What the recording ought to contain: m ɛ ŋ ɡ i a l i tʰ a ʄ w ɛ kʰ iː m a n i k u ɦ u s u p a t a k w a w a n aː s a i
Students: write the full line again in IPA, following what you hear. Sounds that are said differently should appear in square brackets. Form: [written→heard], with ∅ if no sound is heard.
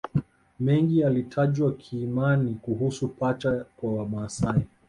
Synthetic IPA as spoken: m ɛ ŋ ɡ i a l i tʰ a ʄ w [ɛ→a] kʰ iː m a n i k u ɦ u s u p a [t→t͡ʃ] a k w a w a [n→m] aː s a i

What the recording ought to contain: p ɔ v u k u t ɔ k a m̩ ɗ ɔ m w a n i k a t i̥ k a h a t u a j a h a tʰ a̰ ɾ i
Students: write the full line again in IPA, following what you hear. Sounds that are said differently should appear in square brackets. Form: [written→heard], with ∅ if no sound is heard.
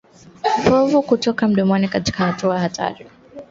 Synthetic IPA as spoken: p ɔ v u k u t ɔ k a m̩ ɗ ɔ m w a n i k a t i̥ k a h a t u a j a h a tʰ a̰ ɾ i

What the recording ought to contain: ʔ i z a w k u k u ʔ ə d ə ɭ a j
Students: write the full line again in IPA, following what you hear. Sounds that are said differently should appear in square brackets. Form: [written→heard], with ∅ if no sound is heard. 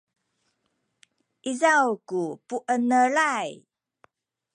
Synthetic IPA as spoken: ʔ i z a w k u [k→p] u ʔ ə [d→n] ə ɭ a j

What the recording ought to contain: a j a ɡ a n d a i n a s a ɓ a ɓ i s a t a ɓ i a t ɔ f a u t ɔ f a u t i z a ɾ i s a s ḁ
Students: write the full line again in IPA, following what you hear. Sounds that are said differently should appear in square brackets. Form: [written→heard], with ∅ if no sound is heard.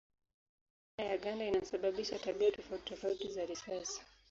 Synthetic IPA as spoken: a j a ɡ a n d a i n a s a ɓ a ɓ i [s→ʃ] a t a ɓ i a t ɔ f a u t ɔ f a u t i z a ɾ i s a s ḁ

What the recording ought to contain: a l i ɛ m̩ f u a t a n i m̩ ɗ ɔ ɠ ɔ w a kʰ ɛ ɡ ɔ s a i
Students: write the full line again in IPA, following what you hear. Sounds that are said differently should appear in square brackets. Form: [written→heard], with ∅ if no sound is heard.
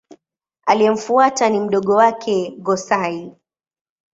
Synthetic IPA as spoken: a l i ɛ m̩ f u a t a n i m̩ ɗ ɔ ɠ ɔ w a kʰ ɛ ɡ ɔ s a i

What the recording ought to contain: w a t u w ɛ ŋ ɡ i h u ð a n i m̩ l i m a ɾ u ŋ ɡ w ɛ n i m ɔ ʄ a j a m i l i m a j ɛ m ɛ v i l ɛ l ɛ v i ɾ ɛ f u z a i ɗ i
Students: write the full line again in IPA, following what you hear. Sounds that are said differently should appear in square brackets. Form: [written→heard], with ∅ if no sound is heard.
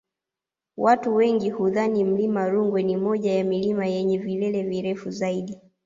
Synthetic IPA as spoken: w a t u w ɛ ŋ ɡ i h u ð a n i m̩ l i m a ɾ u ŋ ɡ w ɛ n i m ɔ ʄ a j a m i l i m a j ɛ [m→ɲ] ɛ v i l ɛ l ɛ v i ɾ ɛ f u z a i ɗ i

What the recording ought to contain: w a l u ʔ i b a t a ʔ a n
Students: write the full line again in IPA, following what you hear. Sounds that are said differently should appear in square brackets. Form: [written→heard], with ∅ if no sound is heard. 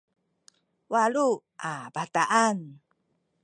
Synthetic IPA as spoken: w a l u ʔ [i→a] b a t a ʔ a n

